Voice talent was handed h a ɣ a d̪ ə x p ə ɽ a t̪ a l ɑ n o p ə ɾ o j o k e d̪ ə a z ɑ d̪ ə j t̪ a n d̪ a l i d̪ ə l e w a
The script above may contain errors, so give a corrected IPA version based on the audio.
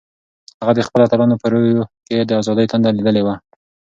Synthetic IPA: h a ɣ a d̪ ə x p ə l a t̪ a l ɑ n o p ə ɾ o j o k e d̪ ə a z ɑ d̪ ə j t̪ a n d̪ a l i d̪ ə l e w a